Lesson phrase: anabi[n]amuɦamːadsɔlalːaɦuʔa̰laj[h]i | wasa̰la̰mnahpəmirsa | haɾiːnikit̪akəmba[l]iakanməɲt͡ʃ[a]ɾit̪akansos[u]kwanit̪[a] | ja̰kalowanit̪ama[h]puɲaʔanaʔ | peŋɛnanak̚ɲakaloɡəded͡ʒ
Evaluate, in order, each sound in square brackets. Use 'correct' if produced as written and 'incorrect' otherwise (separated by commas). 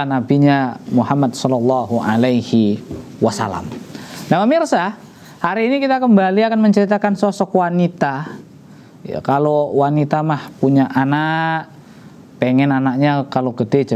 incorrect, correct, correct, incorrect, incorrect, correct, correct